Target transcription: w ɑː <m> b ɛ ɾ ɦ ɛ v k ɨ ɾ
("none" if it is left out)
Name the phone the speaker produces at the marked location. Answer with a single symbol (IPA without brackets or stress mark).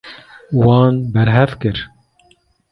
n